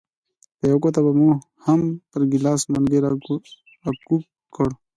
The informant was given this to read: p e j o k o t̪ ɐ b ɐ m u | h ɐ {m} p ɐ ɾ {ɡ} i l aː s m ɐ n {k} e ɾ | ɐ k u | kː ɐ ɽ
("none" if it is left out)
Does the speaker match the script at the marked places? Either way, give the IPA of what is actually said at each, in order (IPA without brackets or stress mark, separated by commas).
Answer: m, ɡ, ɡ